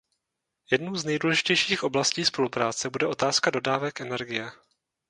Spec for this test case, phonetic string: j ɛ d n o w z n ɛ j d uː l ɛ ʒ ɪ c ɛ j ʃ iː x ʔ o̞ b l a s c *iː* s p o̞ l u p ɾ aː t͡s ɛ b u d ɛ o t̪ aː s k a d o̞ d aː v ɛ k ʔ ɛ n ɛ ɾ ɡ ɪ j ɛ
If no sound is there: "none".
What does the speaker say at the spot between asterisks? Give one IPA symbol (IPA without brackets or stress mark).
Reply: iː